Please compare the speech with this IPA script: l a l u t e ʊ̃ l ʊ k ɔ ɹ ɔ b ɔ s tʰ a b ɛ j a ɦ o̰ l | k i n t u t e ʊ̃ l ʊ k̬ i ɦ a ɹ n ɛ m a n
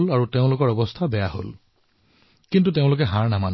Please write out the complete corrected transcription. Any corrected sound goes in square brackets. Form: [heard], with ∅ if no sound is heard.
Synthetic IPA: l a [ɹ] u t e ʊ̃ l ʊ k ɔ ɹ ɔ b ɔ s tʰ a b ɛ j a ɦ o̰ l | k i n t u t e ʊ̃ l ʊ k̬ [ɛ] ɦ a ɹ n [a] m a n